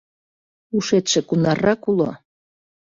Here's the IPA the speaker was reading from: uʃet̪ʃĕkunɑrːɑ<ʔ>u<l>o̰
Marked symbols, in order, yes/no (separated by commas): no, yes